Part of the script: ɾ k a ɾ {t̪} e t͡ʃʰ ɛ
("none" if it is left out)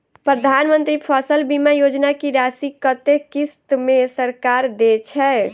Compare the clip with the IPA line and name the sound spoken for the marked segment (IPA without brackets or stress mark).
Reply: d̪